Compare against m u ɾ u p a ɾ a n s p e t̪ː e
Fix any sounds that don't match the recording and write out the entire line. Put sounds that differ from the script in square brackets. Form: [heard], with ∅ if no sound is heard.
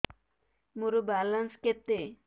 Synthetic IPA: m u ɾ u [b] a [l] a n s [k] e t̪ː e